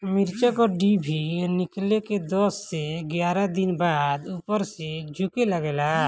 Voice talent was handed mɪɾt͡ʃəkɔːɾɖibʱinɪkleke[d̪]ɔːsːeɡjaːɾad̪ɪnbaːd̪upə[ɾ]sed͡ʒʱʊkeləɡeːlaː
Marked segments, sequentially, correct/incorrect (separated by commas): correct, correct